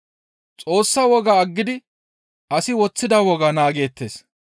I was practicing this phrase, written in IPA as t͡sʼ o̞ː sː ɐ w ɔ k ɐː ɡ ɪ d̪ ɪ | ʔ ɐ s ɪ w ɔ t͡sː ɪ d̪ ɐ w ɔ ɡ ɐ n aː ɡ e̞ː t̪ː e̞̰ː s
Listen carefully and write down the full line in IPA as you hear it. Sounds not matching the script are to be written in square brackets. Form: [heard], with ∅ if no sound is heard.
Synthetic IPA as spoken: t͡sʼ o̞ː sː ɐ w ɔ [ɡ] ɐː [ɡː] ɪ d̪ ɪ | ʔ ɐ s ɪ w ɔ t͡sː ɪ d̪ ɐ w ɔ ɡ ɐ n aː ɡ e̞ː t̪ː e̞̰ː s